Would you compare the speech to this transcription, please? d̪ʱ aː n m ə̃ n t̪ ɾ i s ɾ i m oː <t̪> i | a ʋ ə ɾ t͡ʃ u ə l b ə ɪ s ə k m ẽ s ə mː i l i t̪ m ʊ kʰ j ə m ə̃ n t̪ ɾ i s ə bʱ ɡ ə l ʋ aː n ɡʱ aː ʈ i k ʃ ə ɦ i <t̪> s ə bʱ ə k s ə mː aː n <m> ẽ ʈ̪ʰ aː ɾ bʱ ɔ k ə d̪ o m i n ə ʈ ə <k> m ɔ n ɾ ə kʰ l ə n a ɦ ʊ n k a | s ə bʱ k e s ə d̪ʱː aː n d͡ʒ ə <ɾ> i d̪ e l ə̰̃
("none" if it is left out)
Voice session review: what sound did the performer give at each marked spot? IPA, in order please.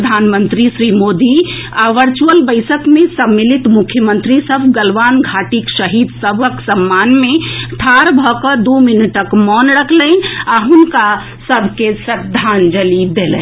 d̪, d̪, m, k, l

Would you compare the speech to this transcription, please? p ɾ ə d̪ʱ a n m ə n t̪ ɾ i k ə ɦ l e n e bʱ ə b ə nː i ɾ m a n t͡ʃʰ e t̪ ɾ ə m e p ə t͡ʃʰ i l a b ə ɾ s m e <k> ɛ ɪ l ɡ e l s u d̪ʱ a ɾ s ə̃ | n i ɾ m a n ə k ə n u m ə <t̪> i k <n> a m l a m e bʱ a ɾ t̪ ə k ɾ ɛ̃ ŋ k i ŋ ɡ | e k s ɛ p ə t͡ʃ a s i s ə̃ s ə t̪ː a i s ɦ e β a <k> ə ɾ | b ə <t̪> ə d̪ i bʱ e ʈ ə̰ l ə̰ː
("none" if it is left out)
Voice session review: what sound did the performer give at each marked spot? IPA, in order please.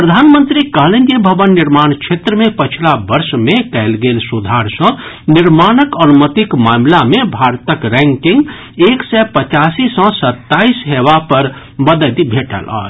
k, t̪, m, p, d̪

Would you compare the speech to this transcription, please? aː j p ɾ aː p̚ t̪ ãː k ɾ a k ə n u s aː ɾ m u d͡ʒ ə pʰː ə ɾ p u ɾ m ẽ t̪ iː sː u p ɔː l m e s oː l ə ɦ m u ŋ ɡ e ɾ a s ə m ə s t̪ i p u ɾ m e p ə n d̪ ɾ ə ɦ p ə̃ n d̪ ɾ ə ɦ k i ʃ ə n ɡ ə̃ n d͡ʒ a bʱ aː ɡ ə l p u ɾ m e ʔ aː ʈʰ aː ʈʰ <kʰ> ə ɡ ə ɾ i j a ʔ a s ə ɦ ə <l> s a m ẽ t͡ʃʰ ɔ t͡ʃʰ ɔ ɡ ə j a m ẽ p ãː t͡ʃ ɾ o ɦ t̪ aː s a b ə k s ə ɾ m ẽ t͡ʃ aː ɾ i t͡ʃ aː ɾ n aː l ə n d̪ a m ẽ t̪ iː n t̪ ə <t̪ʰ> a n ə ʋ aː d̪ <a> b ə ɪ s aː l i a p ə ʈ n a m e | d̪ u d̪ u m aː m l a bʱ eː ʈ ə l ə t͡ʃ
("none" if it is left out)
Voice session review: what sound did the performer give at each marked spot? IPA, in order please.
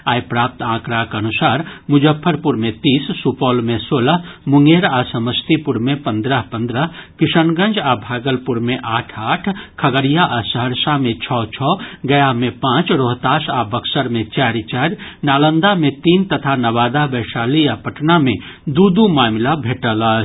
kʰ, ɾ, t̪ʰ, a

